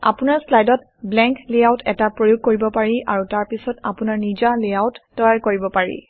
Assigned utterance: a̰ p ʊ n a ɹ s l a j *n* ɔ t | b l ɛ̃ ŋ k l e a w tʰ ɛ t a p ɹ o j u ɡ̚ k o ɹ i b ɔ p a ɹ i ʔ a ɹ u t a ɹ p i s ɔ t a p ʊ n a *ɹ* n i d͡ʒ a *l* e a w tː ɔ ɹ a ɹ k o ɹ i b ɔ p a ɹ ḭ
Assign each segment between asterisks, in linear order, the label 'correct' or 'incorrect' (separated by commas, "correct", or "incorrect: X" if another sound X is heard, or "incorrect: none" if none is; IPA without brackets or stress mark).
incorrect: d, correct, correct